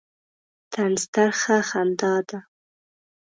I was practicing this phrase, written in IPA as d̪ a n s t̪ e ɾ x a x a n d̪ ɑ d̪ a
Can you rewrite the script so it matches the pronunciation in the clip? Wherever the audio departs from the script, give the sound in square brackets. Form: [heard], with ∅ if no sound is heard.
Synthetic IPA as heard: [t̪] a n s t̪ [a] ɾ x a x a n d̪ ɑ d̪ a